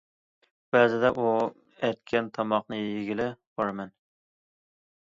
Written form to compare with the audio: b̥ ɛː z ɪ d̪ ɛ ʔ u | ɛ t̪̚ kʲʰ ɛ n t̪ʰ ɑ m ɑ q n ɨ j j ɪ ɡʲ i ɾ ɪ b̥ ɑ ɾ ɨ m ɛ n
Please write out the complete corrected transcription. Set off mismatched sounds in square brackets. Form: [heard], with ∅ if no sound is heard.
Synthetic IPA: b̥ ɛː z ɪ d̪ ɛ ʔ u | ɛ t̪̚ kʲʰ ɛ n t̪ʰ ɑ m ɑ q n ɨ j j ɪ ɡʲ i [l] ɪ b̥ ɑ ɾ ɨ m ɛ n